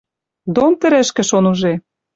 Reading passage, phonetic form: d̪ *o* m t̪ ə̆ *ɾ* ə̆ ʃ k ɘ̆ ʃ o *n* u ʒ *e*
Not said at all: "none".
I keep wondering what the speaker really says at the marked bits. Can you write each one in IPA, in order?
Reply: o, ɾ, n, e

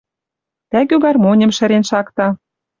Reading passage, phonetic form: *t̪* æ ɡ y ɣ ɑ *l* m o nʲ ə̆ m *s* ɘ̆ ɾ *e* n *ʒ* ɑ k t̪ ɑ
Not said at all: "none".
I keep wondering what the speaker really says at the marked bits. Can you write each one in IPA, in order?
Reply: t̪, r, ʃ, e, ʃ

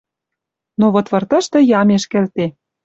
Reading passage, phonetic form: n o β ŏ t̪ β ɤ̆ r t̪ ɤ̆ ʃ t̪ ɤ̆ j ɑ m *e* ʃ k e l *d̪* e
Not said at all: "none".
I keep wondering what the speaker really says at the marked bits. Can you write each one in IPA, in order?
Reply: e, t̪

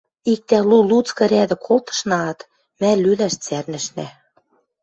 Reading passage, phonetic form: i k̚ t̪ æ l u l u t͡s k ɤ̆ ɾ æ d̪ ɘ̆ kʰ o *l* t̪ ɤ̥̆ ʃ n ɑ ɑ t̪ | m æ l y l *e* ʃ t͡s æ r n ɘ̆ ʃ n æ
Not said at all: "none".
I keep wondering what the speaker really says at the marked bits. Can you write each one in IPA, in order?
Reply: l, æ

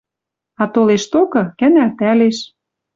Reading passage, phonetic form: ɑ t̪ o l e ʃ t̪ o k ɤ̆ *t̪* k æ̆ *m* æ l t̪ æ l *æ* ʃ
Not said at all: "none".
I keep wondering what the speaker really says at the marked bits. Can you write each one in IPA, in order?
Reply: none, n, e

